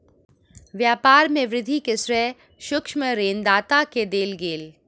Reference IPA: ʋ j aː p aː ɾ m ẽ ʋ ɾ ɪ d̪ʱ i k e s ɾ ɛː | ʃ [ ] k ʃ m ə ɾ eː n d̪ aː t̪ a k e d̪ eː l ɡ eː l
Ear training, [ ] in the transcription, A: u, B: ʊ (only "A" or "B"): B